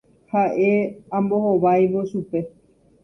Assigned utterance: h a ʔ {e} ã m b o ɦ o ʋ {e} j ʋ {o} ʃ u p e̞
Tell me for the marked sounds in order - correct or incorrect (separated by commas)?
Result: correct, incorrect, correct